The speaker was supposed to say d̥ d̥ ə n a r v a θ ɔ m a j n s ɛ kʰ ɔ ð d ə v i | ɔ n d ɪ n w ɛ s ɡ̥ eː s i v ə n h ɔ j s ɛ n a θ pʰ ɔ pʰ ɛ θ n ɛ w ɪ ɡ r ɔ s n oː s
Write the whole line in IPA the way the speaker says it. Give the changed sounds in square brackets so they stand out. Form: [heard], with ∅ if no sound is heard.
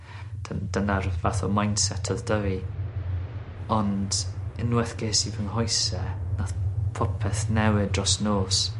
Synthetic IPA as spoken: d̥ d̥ ə n a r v a θ ɔ m a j n s ɛ [tʰ] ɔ ð d ə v i | ɔ n d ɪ n w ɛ [θ] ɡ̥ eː s i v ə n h ɔ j s ɛ n a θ pʰ ɔ pʰ ɛ θ n ɛ w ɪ [d] r ɔ s n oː s